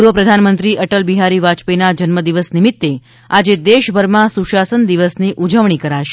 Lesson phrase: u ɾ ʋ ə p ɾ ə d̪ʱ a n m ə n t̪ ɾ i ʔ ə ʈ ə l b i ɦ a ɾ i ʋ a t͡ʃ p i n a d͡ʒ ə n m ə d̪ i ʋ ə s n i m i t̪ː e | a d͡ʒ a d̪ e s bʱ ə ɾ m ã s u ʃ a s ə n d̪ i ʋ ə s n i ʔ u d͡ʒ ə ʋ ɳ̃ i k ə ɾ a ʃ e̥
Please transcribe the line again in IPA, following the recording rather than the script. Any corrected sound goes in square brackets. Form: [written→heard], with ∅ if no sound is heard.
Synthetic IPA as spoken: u ɾ ʋ ə p ɾ ə d̪ʱ a n m ə n t̪ ɾ i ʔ ə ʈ ə l b i ɦ a ɾ i ʋ a t͡ʃ p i n a d͡ʒ ə n m ə d̪ i ʋ ə s n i m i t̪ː e | a d͡ʒ [a→e] d̪ e [s→ʃ] bʱ ə ɾ m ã s u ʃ a s ə n d̪ i ʋ ə s n i ʔ u d͡ʒ ə ʋ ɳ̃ i k ə ɾ a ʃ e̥

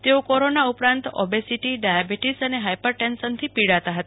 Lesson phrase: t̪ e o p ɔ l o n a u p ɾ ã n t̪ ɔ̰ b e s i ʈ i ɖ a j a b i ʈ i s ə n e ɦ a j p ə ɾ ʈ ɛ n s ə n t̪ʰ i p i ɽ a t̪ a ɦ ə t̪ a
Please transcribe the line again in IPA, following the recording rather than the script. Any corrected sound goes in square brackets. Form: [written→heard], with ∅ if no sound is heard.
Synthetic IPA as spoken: t̪ e o [p→k] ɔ [l→ɾ] o n a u p ɾ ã n t̪ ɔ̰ b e s i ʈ i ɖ a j a b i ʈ i s ə n e ɦ a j p ə ɾ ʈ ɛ n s ə n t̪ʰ i p i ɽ a t̪ a ɦ ə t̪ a

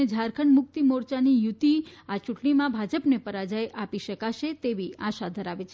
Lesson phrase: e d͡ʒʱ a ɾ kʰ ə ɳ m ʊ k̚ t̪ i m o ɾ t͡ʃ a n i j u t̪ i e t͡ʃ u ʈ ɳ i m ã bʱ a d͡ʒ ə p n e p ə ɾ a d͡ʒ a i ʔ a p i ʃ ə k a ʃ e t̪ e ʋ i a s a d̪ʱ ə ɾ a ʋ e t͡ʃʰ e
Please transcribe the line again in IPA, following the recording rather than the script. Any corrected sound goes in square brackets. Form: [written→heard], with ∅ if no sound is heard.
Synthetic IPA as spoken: e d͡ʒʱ a ɾ kʰ ə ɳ m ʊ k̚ t̪ i m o ɾ t͡ʃ a n i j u t̪ i [e→a] t͡ʃ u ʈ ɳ i m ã bʱ a d͡ʒ ə p n e p ə ɾ a d͡ʒ a [i→j] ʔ a p i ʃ ə k a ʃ e t̪ e ʋ i a [s→ʃ] a d̪ʱ ə ɾ a ʋ e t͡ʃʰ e

